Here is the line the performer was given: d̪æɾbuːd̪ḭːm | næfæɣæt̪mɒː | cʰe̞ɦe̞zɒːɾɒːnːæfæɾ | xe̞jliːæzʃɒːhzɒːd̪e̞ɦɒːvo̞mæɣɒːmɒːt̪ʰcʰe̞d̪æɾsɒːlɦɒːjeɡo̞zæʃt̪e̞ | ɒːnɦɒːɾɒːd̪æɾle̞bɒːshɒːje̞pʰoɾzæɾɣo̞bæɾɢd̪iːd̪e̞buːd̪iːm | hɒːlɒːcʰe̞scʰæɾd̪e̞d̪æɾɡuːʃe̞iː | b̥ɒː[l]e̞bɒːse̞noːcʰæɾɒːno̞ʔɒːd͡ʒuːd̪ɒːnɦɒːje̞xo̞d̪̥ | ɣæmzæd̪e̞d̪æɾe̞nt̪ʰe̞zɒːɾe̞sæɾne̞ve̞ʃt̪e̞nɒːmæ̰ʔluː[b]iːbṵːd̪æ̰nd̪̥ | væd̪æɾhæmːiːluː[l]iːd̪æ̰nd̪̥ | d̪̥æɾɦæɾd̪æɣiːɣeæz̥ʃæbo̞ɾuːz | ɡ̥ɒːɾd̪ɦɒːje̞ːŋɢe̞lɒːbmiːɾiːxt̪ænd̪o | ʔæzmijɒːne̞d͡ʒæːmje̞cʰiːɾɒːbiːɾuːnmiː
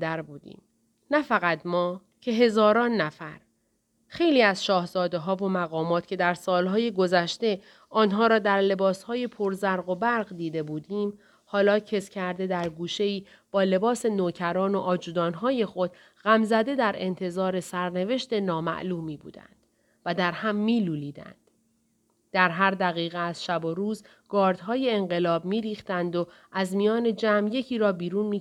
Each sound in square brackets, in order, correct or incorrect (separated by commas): correct, incorrect, correct